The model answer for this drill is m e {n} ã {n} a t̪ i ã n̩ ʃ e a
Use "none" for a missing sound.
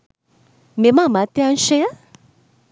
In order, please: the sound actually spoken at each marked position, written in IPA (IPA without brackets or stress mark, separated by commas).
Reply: m, m